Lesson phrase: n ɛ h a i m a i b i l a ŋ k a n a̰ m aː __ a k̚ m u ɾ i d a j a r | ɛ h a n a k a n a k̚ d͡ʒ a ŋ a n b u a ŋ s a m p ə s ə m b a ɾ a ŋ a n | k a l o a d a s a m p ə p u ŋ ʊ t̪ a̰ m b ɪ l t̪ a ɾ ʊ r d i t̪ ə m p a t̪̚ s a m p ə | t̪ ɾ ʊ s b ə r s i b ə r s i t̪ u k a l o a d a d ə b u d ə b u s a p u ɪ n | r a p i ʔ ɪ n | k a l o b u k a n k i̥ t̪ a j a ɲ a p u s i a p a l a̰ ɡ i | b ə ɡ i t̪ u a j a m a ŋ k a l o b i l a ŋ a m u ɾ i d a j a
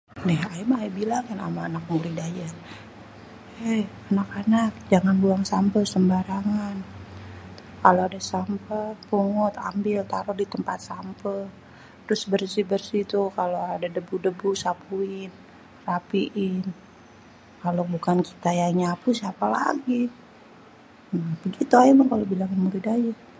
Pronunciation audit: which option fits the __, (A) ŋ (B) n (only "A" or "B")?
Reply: B